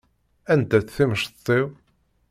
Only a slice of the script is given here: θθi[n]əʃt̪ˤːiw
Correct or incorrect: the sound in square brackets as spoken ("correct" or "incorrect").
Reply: incorrect